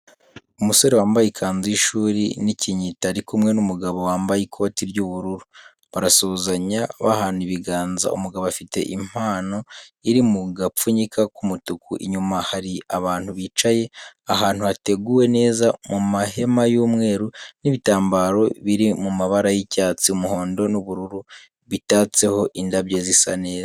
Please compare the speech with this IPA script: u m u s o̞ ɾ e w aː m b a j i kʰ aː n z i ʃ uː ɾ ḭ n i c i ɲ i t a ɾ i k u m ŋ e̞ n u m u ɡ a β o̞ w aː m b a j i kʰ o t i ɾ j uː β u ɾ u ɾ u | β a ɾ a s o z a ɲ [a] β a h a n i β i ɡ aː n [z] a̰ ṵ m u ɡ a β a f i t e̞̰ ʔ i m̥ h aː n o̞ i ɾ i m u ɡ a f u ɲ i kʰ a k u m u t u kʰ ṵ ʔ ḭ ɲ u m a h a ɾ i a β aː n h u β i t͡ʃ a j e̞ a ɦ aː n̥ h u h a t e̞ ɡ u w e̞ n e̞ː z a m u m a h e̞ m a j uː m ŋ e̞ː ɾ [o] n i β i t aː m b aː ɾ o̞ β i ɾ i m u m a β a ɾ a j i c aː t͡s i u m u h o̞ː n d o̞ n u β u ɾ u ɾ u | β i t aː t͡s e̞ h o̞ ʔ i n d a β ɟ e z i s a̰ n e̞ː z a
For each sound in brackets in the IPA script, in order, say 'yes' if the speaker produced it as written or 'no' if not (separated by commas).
yes, yes, no